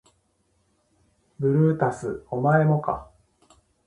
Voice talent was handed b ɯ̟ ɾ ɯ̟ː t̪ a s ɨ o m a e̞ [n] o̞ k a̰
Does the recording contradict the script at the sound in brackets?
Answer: yes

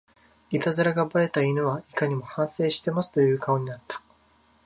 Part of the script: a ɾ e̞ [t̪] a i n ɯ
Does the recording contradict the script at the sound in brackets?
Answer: no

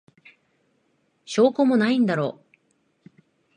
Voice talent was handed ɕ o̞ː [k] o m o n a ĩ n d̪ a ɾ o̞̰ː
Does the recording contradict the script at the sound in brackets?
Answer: no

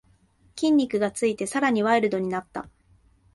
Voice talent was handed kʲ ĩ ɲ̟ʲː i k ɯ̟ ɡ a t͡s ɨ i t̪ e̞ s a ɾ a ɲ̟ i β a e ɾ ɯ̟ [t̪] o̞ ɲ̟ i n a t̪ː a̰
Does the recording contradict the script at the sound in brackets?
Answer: yes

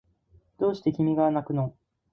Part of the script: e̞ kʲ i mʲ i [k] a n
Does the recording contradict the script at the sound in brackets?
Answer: yes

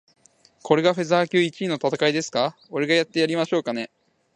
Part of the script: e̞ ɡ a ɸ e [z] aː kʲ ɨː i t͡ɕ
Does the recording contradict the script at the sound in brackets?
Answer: no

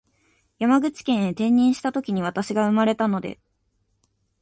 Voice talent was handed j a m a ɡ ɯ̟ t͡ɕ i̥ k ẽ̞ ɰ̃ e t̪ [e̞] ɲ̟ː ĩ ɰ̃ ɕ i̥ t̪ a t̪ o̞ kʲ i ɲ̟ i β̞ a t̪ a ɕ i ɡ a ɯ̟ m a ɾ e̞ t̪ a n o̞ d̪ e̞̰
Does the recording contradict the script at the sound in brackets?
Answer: yes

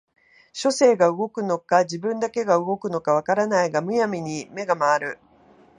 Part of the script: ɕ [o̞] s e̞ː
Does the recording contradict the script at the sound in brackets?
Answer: no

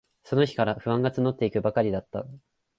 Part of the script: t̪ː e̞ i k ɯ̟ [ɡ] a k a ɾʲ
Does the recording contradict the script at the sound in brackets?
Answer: yes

